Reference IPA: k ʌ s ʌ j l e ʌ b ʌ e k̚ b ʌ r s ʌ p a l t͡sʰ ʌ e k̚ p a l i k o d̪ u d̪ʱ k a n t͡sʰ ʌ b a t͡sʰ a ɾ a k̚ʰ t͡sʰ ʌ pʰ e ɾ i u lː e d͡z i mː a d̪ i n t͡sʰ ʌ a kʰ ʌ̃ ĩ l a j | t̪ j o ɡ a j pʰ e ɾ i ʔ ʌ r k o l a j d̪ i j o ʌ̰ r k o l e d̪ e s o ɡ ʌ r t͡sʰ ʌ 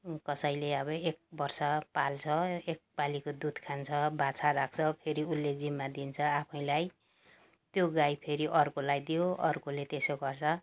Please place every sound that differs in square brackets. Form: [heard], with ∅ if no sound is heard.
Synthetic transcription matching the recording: k ʌ s ʌ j l e ʌ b ʌ e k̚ b ʌ r s ʌ p a l t͡sʰ ʌ e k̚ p a l i k o d̪ u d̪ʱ [kʰ] a n t͡sʰ ʌ b a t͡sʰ a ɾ a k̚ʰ t͡sʰ ʌ pʰ e ɾ i u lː e d͡z i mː a d̪ i n t͡sʰ ʌ a [pʰ] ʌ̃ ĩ l a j | t̪ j o ɡ a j pʰ e ɾ i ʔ ʌ r k o l a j d̪ i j o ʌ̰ r k o l e [t̪] e s o ɡ ʌ r t͡sʰ ʌ